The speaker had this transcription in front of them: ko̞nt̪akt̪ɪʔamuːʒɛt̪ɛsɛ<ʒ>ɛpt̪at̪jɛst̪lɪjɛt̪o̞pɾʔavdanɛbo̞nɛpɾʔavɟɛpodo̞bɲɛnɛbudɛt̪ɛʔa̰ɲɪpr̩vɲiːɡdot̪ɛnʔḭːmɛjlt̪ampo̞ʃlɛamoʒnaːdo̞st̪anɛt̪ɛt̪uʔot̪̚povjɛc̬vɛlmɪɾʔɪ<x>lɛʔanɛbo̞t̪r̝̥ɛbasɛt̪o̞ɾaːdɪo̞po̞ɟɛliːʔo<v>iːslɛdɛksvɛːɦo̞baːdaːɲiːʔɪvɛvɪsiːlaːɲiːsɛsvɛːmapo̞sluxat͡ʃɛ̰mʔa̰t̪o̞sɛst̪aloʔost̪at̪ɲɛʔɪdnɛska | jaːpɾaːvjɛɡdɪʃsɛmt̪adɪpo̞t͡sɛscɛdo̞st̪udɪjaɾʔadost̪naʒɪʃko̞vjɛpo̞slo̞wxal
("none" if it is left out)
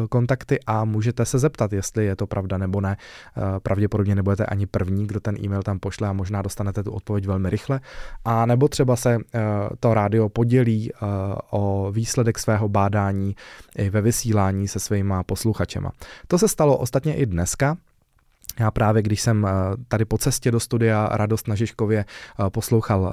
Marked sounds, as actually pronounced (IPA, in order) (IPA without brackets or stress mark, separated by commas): z, x, v